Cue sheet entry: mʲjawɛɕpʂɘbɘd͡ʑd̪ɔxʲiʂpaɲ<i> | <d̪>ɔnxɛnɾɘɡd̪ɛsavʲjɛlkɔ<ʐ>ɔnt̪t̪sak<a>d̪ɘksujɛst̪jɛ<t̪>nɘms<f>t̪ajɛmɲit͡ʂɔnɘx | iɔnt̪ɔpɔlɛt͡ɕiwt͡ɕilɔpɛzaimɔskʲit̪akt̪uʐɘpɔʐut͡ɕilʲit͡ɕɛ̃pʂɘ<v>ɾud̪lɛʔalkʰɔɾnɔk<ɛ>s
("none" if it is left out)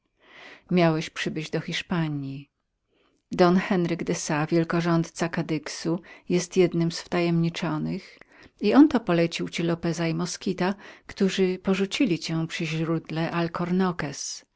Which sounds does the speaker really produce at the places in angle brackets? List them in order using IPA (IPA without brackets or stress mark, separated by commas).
i, d̪, ʐ, a, d̪, f, ʑ, ɛ